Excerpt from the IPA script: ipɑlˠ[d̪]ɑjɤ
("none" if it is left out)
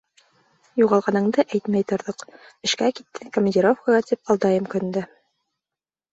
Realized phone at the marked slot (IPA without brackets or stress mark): d̪